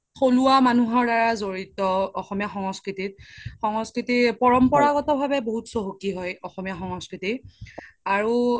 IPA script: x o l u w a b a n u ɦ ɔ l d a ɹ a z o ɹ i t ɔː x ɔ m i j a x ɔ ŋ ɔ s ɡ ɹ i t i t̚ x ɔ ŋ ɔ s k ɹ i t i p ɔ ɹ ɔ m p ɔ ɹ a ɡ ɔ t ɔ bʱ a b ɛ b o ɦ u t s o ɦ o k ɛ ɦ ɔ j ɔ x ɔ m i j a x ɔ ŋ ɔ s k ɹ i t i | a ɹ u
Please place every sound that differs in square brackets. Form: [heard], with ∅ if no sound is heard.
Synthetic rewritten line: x o l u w a [m] a n u ɦ ɔ [ɹ] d a ɹ a z o ɹ i t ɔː x ɔ m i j a x ɔ ŋ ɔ s [k] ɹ i t i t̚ x ɔ ŋ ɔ s k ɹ i t i p ɔ ɹ ɔ m p ɔ ɹ a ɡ ɔ t ɔ bʱ a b ɛ b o ɦ u t s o ɦ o k [i] ɦ ɔ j ɔ x ɔ m i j a x ɔ ŋ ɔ s k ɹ i t i | a ɹ u